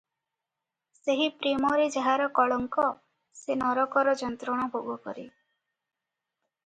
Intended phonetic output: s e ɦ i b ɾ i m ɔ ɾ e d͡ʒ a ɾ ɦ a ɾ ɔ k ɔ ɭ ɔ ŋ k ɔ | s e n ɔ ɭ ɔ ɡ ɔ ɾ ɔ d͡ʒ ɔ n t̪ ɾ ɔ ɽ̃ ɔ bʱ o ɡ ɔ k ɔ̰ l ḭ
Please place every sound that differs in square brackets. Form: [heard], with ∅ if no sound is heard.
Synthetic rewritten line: s e ɦ i [p] ɾ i m ɔ ɾ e d͡ʒ a [∅] ɦ a ɾ ɔ k ɔ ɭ ɔ ŋ k ɔ | s e n ɔ [ɾ] ɔ [k] ɔ ɾ ɔ d͡ʒ ɔ n t̪ ɾ ɔ ɽ̃ ɔ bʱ o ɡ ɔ k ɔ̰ [ɾ] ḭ